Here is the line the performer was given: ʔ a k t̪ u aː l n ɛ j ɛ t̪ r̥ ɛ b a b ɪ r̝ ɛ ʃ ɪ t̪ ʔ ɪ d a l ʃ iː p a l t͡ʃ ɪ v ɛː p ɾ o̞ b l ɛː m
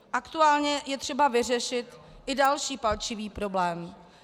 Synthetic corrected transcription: ʔ a k t̪ u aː l ɲ ɛ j ɛ t̪ r̥ ɛ b a v ɪ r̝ ɛ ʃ ɪ t̪ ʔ ɪ d a l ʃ iː p a l t͡ʃ ɪ v iː p ɾ o̞ b l ɛː m

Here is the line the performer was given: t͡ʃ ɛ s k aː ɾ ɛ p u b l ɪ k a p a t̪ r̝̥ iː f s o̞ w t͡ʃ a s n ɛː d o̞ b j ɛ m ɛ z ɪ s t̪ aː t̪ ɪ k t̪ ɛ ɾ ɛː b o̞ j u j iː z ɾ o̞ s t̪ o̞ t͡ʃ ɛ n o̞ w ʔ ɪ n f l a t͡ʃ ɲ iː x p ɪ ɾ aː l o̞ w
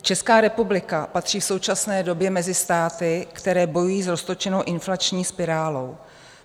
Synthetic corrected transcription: t͡ʃ ɛ s k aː ɾ ɛ p u b l ɪ k a p a t̪ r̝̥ iː f s o̞ w t͡ʃ a s n ɛː d o̞ b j ɛ m ɛ z ɪ s t̪ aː t̪ ɪ k t̪ ɛ ɾ ɛː b o̞ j u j iː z ɾ o̞ s t̪ o̞ t͡ʃ ɛ n o̞ w ʔ ɪ n f l a t͡ʃ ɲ iː s p ɪ ɾ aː l o̞ w

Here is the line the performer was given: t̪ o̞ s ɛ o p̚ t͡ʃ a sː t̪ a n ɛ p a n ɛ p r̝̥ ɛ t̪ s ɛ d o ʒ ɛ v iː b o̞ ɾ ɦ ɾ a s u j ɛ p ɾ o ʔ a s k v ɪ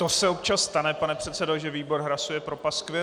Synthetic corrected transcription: t̪ o̞ s ɛ o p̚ t͡ʃ a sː t̪ a n ɛ p a n ɛ p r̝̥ ɛ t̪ s ɛ d o ʒ ɛ v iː b o̞ ɾ ɦ ɾ a s u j ɛ p ɾ o p a s k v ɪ

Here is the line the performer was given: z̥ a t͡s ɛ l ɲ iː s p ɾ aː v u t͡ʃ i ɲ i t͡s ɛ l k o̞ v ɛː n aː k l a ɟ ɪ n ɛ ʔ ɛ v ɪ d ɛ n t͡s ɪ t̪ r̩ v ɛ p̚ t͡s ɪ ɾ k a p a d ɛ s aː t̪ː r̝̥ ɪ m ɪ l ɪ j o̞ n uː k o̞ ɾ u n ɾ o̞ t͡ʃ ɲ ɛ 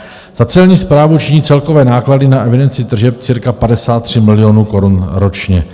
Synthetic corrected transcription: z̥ a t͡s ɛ l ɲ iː s p ɾ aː v u t͡ʃ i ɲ iː t͡s ɛ l k o̞ v ɛː n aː k l a d ɪ n a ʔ ɛ v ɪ d ɛ n t͡s ɪ t̪ r̩ ʒ ɛ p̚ t͡s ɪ ɾ k a p a d ɛ s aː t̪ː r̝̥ ɪ m ɪ l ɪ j o̞ n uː k o̞ ɾ u n ɾ o̞ t͡ʃ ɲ ɛ

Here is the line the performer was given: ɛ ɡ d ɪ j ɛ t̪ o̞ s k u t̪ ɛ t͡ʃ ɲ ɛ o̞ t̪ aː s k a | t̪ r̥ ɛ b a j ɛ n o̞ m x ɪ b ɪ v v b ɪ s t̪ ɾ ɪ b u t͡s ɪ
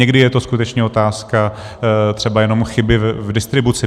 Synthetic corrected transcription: ɛ ɡ d ɪ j ɛ t̪ o̞ s k u t̪ ɛ t͡ʃ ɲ ɛ o̞ t̪ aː s k a | t̪ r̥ ɛ b a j ɛ n o̞ m x ɪ b ɪ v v d ɪ s t̪ ɾ ɪ b u t͡s ɪ

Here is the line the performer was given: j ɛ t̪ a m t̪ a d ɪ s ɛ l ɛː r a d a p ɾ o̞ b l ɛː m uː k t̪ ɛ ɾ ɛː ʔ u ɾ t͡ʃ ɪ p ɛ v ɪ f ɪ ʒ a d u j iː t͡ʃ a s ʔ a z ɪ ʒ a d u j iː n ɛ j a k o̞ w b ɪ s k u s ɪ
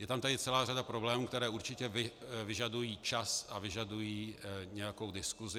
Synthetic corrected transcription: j ɛ t̪ a m t̪ a d ɪ t͡s ɛ l aː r a d a p ɾ o̞ b l ɛː m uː k t̪ ɛ ɾ ɛː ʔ u ɾ t͡ʃ ɪ c ɛ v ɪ v ɪ ʒ a d u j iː t͡ʃ a s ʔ a v ɪ ʒ a d u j iː ɲ ɛ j a k o̞ w d ɪ s k u z ɪ

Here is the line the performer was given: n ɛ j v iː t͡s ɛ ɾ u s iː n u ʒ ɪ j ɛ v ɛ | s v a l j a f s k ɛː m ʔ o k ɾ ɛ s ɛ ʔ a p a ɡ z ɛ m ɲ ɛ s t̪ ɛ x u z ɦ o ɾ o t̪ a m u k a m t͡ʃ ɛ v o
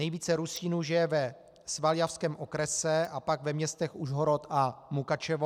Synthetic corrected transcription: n ɛ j v iː t͡s ɛ ɾ u s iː n u ʒ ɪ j ɛ v ɛ | s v a l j a f s k ɛː m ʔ o k ɾ ɛ s ɛ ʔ a p a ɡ v ɛ m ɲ ɛ s t̪ ɛ x u ʒ ɦ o ɾ o t̪ a m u k a t͡ʃ ɛ v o

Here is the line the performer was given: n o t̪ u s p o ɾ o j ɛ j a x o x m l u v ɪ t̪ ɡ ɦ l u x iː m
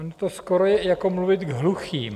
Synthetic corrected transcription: n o t̪ o s k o ɾ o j ɛ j a k o m l u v ɪ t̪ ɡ ɦ l u x iː m

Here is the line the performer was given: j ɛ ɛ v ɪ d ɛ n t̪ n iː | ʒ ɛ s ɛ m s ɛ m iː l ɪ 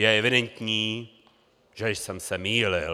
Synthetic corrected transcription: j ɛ ɛ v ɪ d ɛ n t̪ ɲ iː | ʒ ɛ s ɛ m s ɛ m iː l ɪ

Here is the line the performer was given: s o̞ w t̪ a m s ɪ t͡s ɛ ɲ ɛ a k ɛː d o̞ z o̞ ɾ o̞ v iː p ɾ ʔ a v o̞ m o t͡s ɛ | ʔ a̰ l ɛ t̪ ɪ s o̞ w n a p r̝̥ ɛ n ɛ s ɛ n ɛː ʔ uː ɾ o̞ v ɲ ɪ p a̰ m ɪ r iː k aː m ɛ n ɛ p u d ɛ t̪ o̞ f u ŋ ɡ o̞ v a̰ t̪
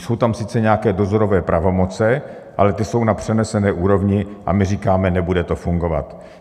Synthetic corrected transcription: s o̞ w t̪ a m s ɪ t͡s ɛ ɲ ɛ a k ɛː d o̞ z o̞ ɾ o̞ v ɛː p ɾ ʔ a v o̞ m o t͡s ɛ | ʔ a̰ l ɛ t̪ ɪ s o̞ w n a p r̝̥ ɛ n ɛ s ɛ n ɛː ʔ uː ɾ o̞ v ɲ ɪ ʔ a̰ m ɪ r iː k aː m ɛ n ɛ b u d ɛ t̪ o̞ f u ŋ ɡ o̞ v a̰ t̪

